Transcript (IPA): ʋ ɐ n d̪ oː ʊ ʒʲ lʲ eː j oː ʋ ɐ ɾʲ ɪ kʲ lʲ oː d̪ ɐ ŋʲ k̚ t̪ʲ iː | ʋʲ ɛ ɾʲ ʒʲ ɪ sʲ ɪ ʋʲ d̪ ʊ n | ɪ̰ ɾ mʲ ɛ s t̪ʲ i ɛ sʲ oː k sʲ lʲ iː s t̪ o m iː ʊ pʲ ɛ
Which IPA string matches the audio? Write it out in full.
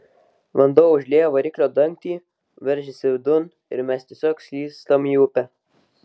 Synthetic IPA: ʋ ɐ n d̪ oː ʊ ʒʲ lʲ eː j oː ʋ ɐ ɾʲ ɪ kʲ lʲ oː d̪ ɐ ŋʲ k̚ t̪ʲ iː | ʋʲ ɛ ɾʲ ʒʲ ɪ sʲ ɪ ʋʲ d̪ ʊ n | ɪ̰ ɾ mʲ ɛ s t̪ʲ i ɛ sʲ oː k sʲ lʲ iː s t̪ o m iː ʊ pʲ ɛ